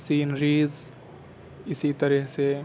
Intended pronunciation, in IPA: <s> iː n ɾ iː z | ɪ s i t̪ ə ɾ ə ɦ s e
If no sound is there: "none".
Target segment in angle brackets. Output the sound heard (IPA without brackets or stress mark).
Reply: s